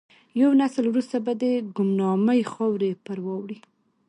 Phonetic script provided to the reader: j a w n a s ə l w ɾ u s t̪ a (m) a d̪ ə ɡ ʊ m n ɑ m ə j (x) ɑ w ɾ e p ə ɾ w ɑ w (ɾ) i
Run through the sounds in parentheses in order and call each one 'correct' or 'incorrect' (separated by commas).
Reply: incorrect, correct, incorrect